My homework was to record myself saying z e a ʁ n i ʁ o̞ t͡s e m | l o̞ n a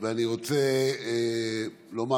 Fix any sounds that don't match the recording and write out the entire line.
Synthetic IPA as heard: v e a n i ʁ o̞ t͡s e | l o̞ m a